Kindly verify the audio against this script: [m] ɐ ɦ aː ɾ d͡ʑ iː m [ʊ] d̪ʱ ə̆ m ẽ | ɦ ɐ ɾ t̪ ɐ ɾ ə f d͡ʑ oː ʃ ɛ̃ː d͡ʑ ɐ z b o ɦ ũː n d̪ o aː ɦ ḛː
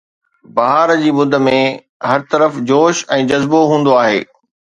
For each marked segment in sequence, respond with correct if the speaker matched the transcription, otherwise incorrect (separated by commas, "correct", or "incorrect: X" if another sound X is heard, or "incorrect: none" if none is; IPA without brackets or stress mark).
incorrect: b, correct